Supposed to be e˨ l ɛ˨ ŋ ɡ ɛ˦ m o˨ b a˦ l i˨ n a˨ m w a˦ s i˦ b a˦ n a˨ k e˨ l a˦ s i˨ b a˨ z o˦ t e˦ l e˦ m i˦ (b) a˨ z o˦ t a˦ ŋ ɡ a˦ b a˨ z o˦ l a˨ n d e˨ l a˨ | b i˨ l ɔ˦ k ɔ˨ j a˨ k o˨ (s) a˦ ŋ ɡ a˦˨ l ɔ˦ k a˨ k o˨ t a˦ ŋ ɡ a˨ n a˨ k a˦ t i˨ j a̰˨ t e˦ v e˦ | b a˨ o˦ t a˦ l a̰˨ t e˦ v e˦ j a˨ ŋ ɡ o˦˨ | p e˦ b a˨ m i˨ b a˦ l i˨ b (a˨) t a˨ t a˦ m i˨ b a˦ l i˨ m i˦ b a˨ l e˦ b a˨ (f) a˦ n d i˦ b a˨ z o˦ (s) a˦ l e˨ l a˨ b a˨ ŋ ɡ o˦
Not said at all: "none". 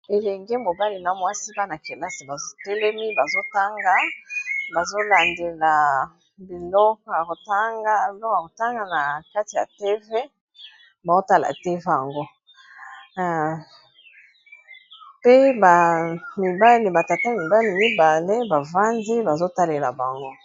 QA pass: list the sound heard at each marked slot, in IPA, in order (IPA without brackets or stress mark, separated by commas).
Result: b, t, a˨, v, t